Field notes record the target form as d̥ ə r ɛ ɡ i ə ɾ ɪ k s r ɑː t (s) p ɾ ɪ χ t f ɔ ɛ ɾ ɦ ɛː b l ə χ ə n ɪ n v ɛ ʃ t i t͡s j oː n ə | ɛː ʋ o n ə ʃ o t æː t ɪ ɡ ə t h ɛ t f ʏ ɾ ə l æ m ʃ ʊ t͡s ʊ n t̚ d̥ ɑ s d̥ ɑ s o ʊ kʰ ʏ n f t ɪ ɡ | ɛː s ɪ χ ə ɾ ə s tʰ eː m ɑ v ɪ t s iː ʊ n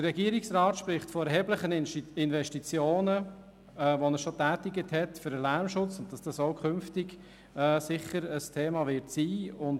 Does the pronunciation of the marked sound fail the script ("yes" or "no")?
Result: yes